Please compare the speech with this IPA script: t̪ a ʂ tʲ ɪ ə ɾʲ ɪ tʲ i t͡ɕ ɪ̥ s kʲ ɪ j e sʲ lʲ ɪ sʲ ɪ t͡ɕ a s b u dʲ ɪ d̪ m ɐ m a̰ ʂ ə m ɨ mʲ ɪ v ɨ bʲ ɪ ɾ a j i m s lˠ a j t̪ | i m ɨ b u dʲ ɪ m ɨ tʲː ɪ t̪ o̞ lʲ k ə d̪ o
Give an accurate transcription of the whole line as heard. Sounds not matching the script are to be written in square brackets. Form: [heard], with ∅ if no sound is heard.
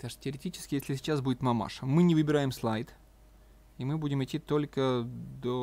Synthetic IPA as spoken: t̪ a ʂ tʲ ɪ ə ɾʲ ɪ tʲ i t͡ɕ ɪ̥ s kʲ ɪ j e sʲ lʲ ɪ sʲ ɪ t͡ɕ a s b u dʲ ɪ [t̪] m ɐ m a̰ ʂ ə m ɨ [nʲ] ɪ v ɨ bʲ ɪ ɾ a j [ɪ] m s lˠ a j t̪ | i m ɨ b u dʲ ɪ m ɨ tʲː [i] t̪ o̞ lʲ k ə d̪ o